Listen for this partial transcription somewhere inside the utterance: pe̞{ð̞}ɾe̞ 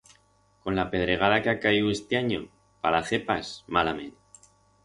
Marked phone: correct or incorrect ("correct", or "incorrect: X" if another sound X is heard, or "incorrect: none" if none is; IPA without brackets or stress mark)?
correct